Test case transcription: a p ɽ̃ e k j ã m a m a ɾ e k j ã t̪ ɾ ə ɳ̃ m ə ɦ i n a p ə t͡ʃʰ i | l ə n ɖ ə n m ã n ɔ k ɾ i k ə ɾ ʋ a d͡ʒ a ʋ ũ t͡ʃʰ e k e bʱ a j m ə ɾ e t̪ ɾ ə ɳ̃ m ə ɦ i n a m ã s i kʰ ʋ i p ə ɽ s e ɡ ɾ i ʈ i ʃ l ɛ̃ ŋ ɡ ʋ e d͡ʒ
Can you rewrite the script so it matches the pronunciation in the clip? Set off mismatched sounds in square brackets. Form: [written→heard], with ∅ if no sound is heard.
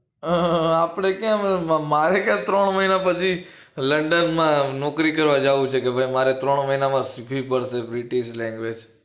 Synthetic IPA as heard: a p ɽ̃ e k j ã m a m a ɾ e k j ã t̪ ɾ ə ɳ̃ m ə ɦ i n a p ə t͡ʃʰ i | l ə [n→ɳ] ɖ ə n m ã n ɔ k ɾ i k ə ɾ ʋ a d͡ʒ a ʋ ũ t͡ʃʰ e k e bʱ a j m [ə→a] ɾ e t̪ ɾ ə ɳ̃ m ə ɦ i n a m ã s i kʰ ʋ i p ə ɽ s e [ɡ→b] ɾ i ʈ i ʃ l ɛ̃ ŋ ɡ ʋ e d͡ʒ